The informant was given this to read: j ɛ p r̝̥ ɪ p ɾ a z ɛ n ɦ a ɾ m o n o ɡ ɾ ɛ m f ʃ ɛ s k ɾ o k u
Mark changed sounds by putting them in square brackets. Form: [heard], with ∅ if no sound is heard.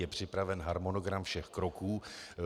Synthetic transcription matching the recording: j ɛ p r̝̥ ɪ p ɾ a [v] ɛ n ɦ a ɾ m o n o ɡ ɾ [a] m f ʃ ɛ [x] k ɾ o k [uː]

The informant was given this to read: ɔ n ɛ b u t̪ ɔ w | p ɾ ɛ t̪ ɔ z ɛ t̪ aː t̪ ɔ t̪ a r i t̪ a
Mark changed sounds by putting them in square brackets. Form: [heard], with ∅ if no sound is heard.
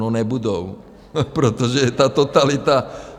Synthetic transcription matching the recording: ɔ n ɛ b u [d̪] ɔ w | p ɾ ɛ t̪ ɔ [ʒ] ɛ t̪ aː t̪ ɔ t̪ a [l] i t̪ a

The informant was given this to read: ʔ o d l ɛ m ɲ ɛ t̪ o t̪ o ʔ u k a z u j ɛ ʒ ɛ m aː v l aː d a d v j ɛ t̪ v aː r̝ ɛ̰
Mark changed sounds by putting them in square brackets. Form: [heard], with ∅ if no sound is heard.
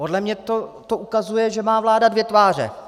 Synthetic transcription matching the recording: [p] o d l ɛ m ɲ ɛ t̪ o t̪ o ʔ u k a z u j ɛ ʒ ɛ m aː v l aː d a d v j ɛ t̪ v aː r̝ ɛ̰

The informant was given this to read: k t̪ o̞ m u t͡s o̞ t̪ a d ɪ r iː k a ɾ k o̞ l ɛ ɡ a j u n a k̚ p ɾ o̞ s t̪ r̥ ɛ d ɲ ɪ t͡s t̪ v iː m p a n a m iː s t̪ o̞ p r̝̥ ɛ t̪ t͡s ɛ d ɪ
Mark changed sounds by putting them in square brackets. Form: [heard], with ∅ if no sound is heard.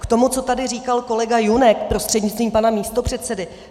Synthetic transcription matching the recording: k t̪ o̞ m u t͡s o̞ t̪ a d ɪ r iː k a [l] k o̞ l ɛ ɡ a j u n [ɛ] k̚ p ɾ o̞ s t̪ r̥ ɛ d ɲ ɪ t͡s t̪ v iː m p a n a m iː s t̪ o̞ p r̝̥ ɛ t̪ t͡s ɛ d ɪ

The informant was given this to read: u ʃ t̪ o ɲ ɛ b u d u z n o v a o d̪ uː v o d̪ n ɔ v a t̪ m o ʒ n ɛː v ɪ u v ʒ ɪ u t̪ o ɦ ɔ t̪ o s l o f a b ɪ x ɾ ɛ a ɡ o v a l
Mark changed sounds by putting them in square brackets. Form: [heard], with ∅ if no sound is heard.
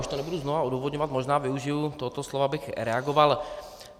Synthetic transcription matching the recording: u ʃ t̪ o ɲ ɛ b u d u z n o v a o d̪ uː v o d̪ [ɲ] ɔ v a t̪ m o ʒ n [aː] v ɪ u [∅] ʒ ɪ u t̪ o ɦ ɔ t̪ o s l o [v] a b ɪ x ɾ ɛ a ɡ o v a l

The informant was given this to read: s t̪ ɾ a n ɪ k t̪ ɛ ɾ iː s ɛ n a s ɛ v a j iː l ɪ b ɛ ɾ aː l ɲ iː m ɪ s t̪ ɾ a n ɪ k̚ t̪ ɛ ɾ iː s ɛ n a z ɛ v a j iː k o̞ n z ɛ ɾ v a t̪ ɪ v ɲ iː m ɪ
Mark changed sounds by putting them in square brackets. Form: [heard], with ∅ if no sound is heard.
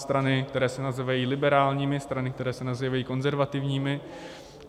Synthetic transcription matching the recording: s t̪ ɾ a n ɪ k t̪ ɛ ɾ [ɛː] s ɛ n a [z] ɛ v a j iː l ɪ b ɛ ɾ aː l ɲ iː m ɪ s t̪ ɾ a n ɪ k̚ t̪ ɛ ɾ [ɛː] s ɛ n a z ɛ v a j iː k o̞ n z ɛ ɾ v a t̪ ɪ v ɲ iː m ɪ

